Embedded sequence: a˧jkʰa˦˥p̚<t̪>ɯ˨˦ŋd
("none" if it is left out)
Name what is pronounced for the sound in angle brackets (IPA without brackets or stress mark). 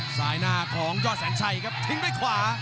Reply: t̪ʰ